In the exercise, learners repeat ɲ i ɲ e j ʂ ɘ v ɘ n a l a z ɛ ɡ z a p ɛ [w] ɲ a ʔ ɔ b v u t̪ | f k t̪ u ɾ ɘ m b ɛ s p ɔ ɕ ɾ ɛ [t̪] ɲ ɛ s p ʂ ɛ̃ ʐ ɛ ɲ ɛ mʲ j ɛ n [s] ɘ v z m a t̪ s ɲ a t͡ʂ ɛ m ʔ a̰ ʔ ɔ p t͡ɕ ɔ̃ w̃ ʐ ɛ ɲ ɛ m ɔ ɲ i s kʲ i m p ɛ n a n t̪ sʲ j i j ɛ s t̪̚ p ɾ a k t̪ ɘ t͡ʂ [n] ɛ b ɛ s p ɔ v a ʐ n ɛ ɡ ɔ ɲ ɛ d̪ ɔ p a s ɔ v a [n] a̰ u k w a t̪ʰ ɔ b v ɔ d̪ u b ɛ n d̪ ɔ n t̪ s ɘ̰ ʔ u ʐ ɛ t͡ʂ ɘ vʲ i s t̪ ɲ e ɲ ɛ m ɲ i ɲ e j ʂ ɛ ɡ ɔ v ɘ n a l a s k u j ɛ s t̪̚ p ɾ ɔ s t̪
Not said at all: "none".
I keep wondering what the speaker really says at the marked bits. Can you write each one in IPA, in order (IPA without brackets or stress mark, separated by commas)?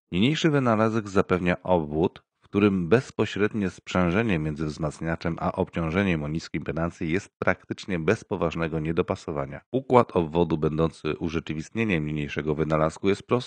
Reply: v, d̪, z, ɲ, ɲ